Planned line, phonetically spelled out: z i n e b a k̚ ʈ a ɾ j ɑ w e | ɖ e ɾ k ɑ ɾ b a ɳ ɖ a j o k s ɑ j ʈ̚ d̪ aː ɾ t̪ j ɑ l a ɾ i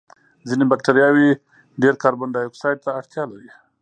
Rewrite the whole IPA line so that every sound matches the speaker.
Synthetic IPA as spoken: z i n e b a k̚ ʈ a ɾ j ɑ w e | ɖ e ɾ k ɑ ɾ b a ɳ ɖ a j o k s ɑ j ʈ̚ t̪ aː ɽ t̪ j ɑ l a ɾ i

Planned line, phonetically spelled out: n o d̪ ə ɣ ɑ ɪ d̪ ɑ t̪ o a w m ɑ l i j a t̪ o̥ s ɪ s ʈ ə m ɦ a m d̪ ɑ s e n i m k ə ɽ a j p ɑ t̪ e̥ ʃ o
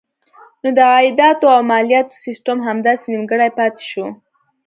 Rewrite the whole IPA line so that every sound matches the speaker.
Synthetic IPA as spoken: n o d̪ ə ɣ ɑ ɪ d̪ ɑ t̪ o a w m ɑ l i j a t̪ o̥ s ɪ s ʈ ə m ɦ a m d̪ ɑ s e n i m ɡ ə ɽ a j p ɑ t̪ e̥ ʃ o

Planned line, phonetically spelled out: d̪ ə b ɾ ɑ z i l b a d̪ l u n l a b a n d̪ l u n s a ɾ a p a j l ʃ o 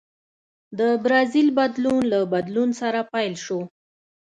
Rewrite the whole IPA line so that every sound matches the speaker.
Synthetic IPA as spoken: d̪ ə b ɾ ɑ z i l b a d̪ l u n l a b a d̪ l u n s a ɾ a p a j l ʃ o

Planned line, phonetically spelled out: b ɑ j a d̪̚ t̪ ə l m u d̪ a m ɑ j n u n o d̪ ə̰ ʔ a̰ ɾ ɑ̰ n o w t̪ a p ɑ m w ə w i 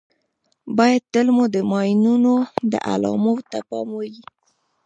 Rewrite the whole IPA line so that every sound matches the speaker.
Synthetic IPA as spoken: b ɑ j a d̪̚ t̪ ə l m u d̪ ə m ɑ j n u n o d̪ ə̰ ʔ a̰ l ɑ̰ m o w t̪ a p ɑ m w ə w i

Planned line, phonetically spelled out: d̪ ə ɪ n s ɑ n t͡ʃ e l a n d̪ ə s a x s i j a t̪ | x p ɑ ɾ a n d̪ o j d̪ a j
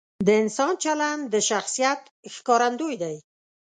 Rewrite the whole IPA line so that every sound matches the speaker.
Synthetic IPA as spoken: d̪ ə ɪ n s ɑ n t͡ʃ a l a n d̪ ə ʃ a x s i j a t̪ | x k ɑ ɾ a n d̪ o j d̪ a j

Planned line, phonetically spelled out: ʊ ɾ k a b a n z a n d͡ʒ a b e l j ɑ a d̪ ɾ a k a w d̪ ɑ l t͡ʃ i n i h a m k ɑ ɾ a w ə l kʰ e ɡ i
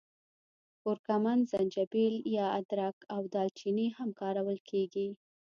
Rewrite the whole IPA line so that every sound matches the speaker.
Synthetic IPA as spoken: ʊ ɾ k a m a n z a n d͡ʒ a b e l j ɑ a d̪ ɾ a k a w d̪ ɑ l t͡ʃ i n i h a m k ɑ ɾ a w ə l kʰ e ɡ i

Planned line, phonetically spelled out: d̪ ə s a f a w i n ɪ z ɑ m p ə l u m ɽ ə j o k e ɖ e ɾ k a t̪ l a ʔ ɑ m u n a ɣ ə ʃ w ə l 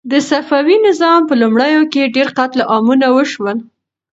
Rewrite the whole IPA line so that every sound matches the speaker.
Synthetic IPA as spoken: d̪ ə s a f a w i n ɪ z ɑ m p ə l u m ɽ ə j o k e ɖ e ɾ q a t̪ l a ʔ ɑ m u n a w ə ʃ w ə l

